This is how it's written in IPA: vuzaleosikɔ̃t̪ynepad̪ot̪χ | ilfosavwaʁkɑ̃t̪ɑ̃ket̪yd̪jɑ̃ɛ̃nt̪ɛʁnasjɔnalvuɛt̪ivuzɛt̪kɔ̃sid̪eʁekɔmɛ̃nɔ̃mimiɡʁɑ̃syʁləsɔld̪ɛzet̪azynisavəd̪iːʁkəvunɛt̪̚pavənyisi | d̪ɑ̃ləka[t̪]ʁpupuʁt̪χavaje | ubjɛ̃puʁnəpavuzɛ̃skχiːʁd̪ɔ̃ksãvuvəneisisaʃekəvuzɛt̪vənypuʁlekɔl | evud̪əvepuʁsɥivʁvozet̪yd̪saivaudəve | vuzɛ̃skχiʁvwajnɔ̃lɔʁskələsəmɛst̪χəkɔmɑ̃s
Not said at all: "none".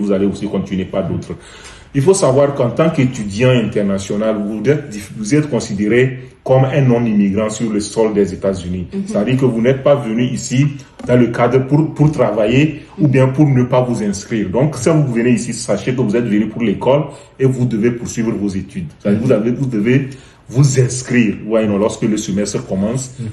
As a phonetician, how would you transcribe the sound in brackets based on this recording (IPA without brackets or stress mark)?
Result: d̪